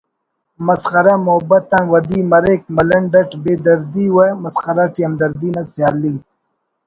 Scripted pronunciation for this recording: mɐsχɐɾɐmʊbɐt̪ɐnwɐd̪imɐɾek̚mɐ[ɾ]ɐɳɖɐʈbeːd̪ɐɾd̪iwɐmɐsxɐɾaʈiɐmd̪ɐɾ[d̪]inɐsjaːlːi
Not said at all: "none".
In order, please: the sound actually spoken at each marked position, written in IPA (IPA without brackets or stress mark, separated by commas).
l, d̪